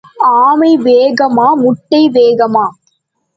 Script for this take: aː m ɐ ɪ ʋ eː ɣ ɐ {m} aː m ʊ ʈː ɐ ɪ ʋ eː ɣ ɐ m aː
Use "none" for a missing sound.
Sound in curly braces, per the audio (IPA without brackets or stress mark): m